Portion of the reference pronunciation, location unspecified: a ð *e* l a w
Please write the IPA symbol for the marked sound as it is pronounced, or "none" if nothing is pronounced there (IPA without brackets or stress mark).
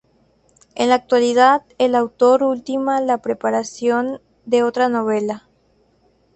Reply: e